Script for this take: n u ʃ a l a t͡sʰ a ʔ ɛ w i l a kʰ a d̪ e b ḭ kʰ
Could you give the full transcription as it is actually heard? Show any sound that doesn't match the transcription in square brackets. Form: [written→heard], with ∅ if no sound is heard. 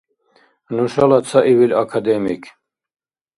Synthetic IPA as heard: n u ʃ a l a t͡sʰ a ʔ [ɛ→i] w i l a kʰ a d̪ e [b→m] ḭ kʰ

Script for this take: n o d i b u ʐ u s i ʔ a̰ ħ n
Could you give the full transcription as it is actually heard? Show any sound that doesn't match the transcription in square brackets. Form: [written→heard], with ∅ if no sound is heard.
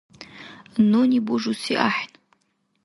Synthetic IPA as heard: n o [d→n] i b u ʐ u s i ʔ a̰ ħ n

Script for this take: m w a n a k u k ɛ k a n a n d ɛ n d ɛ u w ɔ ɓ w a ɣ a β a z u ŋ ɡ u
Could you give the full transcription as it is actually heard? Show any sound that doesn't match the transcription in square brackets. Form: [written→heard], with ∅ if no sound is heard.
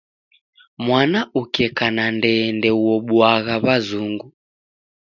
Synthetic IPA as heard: m w a n a [k→∅] u k ɛ k a n a n d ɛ n d ɛ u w ɔ ɓ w a ɣ a β a z u ŋ ɡ u

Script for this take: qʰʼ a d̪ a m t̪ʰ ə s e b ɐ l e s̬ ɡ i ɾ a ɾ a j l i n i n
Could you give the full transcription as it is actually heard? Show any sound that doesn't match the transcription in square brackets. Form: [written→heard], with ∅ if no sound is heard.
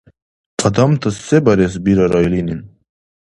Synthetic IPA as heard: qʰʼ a d̪ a m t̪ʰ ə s e b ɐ [l→ɾ] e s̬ [ɡ→b] i ɾ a ɾ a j l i n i n

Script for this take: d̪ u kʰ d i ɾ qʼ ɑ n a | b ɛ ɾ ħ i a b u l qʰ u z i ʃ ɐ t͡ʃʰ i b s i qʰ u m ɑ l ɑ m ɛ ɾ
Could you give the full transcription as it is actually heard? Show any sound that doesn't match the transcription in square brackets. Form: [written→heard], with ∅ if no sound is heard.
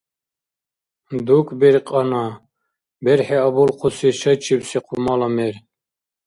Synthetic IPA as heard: d̪ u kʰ [d→b] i ɾ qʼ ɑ n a | b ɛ ɾ ħ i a b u l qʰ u [z→s] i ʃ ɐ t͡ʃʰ i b s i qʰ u m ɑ l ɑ m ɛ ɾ

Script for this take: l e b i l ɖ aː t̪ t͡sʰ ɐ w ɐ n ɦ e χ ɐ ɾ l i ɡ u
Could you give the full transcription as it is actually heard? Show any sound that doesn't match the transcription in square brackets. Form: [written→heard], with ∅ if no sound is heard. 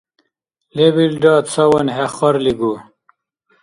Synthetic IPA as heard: l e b i l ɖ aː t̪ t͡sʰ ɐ w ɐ n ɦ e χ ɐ ɾ l i ɡ u

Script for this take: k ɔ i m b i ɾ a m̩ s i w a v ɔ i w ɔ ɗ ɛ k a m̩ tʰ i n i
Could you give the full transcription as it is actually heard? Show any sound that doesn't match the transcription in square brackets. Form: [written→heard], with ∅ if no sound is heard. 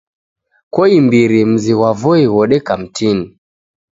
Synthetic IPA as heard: k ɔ i m b i ɾ [a→i] m̩ [s→z] i w a v ɔ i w ɔ ɗ ɛ k a m̩ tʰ i n i

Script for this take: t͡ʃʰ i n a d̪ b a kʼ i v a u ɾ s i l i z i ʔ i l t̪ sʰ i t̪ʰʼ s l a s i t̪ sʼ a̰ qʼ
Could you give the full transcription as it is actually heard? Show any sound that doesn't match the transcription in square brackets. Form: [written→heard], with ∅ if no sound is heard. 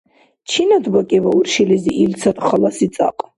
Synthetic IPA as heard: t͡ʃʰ i n a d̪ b a kʼ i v a u ɾ [s→ʃ] i l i z i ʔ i l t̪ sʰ [i→a] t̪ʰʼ [s→χ] l a s i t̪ sʼ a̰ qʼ

